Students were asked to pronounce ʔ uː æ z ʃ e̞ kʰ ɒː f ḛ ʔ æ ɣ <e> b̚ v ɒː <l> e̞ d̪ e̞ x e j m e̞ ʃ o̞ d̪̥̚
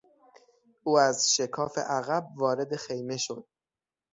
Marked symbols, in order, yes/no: no, no

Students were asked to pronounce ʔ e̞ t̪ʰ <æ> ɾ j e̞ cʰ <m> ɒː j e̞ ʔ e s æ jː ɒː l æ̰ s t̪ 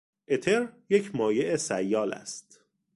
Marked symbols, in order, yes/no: no, yes

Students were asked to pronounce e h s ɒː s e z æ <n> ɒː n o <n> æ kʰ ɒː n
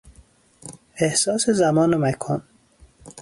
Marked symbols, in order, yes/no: no, no

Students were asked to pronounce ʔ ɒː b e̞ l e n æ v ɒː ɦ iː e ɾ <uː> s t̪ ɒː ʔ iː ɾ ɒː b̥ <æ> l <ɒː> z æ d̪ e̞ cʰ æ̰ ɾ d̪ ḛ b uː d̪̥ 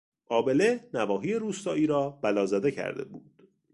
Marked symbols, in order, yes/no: yes, yes, yes

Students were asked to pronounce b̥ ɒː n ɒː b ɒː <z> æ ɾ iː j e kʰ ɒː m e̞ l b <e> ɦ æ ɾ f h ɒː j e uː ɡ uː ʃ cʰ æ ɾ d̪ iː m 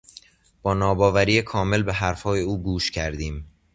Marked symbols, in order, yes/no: no, yes

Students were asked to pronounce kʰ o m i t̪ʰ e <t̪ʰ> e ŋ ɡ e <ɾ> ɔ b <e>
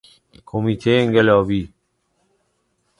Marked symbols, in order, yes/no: no, no, no

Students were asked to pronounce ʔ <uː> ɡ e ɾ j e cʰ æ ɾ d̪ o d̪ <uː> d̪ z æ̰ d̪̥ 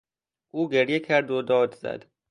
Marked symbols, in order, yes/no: yes, no

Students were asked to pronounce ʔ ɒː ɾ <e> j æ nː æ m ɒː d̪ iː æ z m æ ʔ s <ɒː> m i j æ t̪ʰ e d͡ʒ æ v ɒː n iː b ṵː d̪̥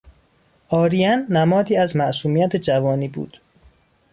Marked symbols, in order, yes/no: no, no

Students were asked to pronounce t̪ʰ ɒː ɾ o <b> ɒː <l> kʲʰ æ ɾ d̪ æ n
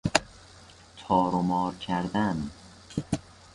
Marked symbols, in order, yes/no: no, no

